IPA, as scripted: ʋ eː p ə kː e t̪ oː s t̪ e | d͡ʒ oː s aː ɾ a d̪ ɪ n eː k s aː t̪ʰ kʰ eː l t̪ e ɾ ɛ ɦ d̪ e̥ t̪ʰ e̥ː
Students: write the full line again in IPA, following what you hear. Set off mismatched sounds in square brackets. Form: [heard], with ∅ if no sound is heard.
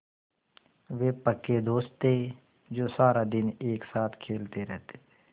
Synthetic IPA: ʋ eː p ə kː e [d̪] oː s t̪ e | d͡ʒ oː s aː ɾ a d̪ ɪ n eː k s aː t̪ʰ kʰ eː l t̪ e ɾ ɛ ɦ [t̪] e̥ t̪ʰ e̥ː

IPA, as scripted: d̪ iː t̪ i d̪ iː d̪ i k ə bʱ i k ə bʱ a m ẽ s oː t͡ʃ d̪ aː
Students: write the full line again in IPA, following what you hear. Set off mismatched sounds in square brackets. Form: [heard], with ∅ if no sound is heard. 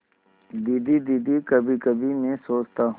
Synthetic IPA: d̪ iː [d̪] i d̪ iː d̪ i k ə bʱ i k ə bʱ [i] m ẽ s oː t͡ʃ [t̪] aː

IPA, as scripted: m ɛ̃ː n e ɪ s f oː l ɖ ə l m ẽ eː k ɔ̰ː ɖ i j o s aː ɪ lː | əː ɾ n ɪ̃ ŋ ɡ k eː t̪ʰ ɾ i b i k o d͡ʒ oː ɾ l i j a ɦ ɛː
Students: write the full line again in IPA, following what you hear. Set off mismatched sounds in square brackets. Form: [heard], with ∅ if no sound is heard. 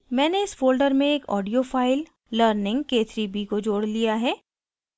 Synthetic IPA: m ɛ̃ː n e ɪ s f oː l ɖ ə [ɾ] m ẽ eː k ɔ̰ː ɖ i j o [f] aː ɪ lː | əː ɾ n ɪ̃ ŋ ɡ k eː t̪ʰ ɾ i b i k o d͡ʒ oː [ɽ] l i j a ɦ ɛː

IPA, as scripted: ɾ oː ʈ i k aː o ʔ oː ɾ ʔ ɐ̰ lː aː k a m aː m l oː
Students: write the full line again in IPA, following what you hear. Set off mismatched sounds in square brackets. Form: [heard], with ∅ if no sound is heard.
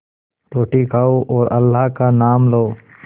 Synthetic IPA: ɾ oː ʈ i k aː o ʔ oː ɾ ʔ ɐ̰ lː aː k a [n] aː m l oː

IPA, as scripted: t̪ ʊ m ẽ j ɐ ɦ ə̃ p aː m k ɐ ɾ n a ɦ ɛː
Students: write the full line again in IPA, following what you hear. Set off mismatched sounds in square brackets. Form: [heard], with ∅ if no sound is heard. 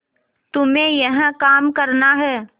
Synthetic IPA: t̪ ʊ m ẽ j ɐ ɦ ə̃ [k] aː m k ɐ ɾ n a ɦ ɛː

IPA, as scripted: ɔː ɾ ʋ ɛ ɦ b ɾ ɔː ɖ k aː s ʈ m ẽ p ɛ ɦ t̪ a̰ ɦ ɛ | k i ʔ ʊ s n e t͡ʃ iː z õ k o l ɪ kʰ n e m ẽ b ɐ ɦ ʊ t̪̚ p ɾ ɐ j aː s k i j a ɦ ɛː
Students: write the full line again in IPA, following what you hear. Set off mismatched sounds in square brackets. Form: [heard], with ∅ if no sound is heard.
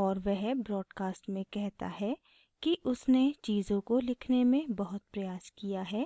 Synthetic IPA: ɔː ɾ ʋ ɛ ɦ b ɾ ɔː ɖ k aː s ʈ m ẽ [k] ɛ ɦ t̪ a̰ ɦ ɛ | k i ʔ ʊ s n e t͡ʃ iː z õ k o l ɪ kʰ n e m ẽ b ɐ ɦ ʊ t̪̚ p ɾ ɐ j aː s k i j a ɦ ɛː

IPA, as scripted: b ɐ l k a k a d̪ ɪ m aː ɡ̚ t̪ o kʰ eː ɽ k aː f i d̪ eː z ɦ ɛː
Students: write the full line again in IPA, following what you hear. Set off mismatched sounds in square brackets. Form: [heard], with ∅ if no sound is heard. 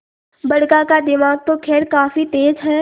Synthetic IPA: b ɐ [ɽ] k a k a d̪ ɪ m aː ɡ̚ t̪ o kʰ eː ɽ k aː f i [t̪] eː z ɦ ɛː

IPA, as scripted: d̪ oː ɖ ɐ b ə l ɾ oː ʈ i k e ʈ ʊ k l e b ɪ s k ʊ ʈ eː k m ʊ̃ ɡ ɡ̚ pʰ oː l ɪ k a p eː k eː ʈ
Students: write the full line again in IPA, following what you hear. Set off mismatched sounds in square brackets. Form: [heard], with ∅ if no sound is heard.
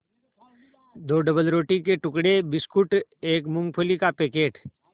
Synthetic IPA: d̪ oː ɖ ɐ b ə l ɾ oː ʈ i k e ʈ ʊ k [ɽ] e b ɪ s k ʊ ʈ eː k m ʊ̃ [ŋ] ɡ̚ pʰ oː l [i] k a p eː k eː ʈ

